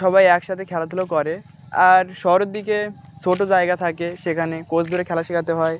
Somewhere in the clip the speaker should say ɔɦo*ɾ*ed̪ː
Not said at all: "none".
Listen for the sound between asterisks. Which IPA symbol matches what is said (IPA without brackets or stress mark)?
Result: ɾ